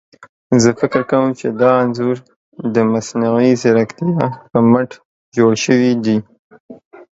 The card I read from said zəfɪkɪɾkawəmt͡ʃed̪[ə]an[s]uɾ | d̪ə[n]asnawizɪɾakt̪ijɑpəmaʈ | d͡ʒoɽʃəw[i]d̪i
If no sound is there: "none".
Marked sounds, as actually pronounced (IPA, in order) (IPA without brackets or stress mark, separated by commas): ɑ, z, m, i